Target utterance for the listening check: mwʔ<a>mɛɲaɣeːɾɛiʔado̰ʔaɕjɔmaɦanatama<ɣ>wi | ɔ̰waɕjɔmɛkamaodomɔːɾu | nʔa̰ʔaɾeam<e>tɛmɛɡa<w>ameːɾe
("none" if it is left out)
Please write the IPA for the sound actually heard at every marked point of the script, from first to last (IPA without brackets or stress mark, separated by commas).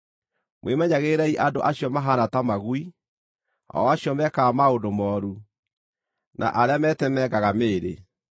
e, ɣ, ɛ, ɣ